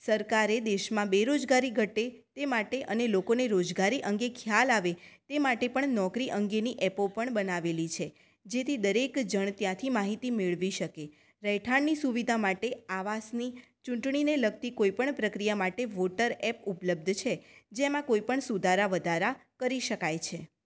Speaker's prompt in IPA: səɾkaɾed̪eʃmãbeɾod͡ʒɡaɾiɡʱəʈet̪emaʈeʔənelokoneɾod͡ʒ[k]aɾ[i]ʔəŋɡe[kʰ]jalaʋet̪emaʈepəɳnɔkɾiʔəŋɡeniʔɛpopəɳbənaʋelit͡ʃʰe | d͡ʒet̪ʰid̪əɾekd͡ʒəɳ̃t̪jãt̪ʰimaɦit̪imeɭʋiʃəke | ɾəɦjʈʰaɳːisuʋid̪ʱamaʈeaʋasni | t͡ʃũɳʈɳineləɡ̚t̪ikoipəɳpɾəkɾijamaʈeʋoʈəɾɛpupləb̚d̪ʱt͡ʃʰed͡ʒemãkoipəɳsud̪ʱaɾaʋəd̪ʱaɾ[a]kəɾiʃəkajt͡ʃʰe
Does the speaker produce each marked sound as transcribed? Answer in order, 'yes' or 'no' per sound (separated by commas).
no, yes, yes, yes